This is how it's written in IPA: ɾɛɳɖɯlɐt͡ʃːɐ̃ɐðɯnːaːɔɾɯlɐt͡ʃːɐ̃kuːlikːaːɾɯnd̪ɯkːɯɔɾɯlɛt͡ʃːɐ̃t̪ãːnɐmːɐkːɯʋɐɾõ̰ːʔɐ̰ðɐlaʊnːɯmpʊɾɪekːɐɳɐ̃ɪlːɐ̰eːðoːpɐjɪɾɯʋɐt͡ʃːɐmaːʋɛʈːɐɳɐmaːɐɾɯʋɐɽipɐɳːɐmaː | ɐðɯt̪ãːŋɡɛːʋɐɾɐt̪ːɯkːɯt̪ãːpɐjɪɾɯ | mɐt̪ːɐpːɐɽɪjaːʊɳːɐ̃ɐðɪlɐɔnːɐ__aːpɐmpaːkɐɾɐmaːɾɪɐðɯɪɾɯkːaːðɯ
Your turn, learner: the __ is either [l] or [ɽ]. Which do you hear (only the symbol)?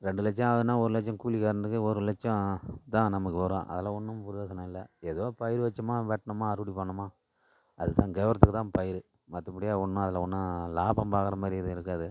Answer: l